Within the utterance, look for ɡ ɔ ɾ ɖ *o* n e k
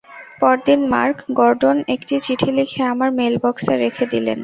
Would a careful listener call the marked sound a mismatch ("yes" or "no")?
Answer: no